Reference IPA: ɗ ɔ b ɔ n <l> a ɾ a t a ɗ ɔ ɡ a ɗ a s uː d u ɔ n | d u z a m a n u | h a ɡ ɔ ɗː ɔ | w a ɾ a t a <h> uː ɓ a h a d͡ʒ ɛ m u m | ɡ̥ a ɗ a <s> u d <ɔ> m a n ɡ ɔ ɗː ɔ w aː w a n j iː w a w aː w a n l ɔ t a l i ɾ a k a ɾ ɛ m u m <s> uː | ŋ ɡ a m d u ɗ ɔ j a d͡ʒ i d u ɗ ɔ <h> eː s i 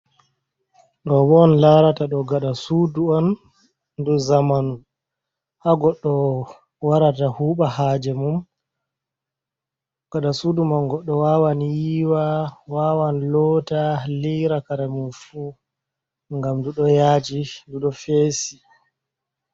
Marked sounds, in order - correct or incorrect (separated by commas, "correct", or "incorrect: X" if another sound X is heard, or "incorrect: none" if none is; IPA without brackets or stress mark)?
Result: correct, correct, correct, incorrect: u, incorrect: f, incorrect: f